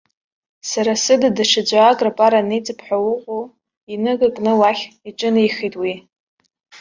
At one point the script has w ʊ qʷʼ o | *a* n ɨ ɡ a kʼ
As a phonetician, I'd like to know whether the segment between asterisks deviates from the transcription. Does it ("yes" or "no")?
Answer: yes